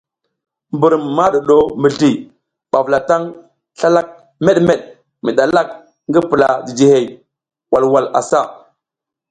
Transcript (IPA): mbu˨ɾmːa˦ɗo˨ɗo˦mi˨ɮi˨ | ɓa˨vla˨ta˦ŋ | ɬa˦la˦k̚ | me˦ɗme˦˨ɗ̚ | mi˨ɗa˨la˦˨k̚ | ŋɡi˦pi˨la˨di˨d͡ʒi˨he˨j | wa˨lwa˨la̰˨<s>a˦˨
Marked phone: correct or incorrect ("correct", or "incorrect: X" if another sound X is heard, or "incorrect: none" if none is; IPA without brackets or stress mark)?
correct